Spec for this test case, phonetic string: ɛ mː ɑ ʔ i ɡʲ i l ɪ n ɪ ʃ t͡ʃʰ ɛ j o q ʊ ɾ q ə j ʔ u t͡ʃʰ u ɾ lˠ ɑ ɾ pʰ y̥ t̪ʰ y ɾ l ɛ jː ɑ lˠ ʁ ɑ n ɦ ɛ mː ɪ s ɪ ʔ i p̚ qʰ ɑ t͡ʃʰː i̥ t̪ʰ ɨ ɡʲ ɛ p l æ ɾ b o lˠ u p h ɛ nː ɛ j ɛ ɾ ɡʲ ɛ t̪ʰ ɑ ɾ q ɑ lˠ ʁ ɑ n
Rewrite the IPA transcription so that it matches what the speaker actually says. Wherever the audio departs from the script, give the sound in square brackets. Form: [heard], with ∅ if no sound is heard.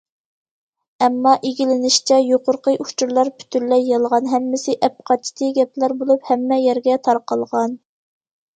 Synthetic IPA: ɛ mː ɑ ʔ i ɡʲ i l ɪ n ɪ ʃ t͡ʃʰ ɛ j o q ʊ ɾ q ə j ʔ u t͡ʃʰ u ɾ lˠ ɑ ɾ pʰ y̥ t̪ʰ y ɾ l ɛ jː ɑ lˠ ʁ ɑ n ɦ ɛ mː ɪ s ɪ ʔ [ɛ] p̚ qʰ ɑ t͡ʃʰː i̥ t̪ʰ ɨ ɡʲ ɛ p l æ ɾ b o lˠ u p h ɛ [mː] ɛ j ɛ ɾ ɡʲ ɛ t̪ʰ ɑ ɾ q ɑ lˠ ʁ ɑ n